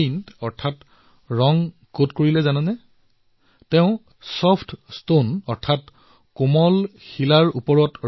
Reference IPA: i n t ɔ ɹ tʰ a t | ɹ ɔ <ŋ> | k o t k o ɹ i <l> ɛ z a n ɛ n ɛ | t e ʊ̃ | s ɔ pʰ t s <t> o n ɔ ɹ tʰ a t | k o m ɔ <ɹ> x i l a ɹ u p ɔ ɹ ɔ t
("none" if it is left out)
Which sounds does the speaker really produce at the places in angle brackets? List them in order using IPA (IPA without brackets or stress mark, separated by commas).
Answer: ŋ, l, t, l